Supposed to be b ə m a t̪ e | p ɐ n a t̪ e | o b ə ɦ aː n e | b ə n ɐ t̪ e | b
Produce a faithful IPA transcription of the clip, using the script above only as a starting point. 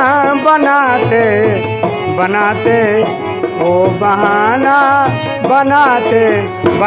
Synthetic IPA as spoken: b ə n a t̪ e | b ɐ n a t̪ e | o b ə ɦ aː n a | b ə n a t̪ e | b

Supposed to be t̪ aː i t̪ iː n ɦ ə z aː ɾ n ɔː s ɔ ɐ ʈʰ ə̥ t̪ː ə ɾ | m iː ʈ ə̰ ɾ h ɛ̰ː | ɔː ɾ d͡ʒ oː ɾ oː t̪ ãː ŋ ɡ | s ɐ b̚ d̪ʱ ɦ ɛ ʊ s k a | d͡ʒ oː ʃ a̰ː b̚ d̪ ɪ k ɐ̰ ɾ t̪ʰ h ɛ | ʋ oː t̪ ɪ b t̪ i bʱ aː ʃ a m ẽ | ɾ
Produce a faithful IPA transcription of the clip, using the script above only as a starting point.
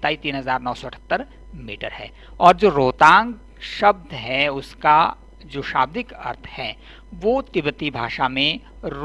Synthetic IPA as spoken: t̪ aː i t̪ iː n ɦ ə z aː ɾ n ɔː s ɔ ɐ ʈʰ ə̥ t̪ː ə ɾ | m iː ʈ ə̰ ɾ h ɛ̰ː | ɔː ɾ d͡ʒ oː ɾ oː t̪ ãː ŋ ɡ | ʃ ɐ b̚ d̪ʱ ɦ ɛ ʊ s k a | d͡ʒ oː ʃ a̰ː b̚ d̪ ɪ k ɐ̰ ɾ t̪ʰ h ɛ | ʋ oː t̪ ɪ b t̪ i bʱ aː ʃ a m ẽ | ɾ

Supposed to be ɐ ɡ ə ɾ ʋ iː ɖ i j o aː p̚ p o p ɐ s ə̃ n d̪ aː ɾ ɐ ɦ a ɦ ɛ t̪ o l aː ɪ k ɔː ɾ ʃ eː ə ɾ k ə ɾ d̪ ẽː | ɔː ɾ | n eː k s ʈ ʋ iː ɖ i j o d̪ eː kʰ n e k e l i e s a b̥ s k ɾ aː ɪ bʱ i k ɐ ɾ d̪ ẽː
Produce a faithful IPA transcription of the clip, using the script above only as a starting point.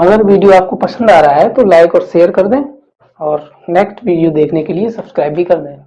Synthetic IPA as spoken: ɐ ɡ ə ɾ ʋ iː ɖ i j o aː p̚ k o p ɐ s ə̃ n d̪ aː ɾ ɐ ɦ a ɦ ɛ t̪ o l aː ɪ k ɔː ɾ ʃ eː ə ɾ k ɐ ɾ d̪ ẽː | ɔː ɾ | n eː k s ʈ ʋ iː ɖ i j o d̪ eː kʰ n e k e l i e s ɐ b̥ s k ɾ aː ɪ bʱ i k ɐ ɾ d̪ ẽː

